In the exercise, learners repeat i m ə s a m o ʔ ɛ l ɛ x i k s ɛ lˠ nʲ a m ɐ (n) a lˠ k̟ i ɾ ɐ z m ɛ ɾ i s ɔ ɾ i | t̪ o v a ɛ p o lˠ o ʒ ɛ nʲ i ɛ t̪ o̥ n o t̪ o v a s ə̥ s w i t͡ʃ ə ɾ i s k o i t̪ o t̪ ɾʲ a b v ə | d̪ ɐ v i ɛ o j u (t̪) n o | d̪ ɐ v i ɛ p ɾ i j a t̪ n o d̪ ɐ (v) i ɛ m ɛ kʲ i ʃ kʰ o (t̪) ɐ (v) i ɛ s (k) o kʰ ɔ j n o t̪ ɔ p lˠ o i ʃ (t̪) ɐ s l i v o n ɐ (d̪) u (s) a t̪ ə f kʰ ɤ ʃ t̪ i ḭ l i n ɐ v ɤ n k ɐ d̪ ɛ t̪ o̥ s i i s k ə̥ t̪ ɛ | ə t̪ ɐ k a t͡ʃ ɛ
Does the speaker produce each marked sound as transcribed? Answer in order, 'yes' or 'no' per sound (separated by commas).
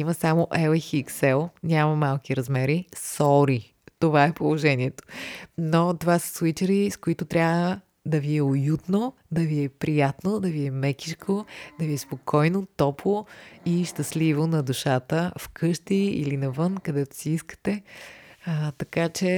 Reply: no, yes, yes, no, yes, no, yes, yes, no